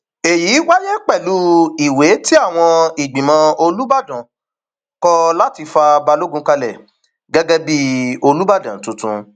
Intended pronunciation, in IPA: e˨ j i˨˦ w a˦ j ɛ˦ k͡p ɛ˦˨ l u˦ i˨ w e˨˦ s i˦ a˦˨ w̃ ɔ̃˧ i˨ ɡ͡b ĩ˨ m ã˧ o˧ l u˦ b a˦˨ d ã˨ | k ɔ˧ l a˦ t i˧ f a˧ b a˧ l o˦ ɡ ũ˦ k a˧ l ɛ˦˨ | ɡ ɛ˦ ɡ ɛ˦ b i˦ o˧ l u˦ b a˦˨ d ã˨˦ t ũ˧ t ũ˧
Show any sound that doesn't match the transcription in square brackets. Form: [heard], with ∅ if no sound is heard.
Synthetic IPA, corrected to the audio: e˨ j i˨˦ w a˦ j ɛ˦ k͡p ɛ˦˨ l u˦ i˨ w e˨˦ [t] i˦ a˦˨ w̃ ɔ̃˧ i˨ ɡ͡b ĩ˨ m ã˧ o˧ l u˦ b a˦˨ d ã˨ | k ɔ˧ l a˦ t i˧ f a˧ b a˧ l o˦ ɡ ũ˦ k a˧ l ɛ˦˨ | ɡ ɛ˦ ɡ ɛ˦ b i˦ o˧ l u˦ b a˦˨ d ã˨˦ t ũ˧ t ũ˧